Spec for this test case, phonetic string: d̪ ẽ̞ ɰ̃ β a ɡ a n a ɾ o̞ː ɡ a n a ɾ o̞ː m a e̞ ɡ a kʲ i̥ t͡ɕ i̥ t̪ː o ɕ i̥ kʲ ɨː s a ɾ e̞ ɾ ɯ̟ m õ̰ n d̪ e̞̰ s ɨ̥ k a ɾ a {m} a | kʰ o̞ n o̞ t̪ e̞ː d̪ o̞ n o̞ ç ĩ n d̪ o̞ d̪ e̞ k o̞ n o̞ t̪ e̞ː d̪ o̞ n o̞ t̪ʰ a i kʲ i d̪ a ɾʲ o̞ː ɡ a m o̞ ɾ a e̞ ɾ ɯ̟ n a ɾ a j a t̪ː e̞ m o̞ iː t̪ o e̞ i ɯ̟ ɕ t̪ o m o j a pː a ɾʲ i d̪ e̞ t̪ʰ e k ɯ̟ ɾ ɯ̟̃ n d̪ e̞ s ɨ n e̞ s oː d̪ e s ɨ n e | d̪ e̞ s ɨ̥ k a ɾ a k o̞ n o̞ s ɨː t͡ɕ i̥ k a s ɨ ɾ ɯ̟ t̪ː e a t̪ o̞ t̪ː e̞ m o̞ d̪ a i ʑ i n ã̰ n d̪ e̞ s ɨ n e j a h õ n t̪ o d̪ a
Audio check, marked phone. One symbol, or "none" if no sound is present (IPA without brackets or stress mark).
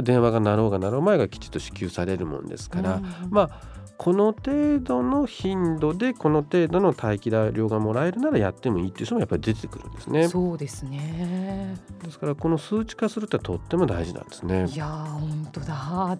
m